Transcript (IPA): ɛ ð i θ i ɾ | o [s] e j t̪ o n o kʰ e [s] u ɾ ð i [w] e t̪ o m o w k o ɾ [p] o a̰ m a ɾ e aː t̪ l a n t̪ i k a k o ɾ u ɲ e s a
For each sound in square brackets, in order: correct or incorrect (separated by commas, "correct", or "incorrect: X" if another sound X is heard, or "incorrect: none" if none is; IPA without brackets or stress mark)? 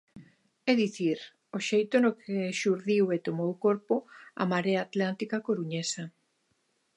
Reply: incorrect: ʃ, incorrect: ʃ, correct, correct